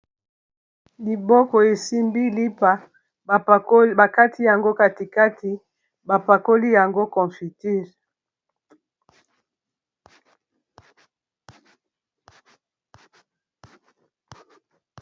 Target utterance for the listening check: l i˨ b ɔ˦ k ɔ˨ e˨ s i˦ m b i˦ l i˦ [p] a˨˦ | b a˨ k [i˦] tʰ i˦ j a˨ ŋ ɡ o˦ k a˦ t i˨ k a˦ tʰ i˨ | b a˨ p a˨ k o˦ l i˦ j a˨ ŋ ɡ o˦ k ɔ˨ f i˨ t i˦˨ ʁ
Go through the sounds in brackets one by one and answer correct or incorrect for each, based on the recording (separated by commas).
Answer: correct, incorrect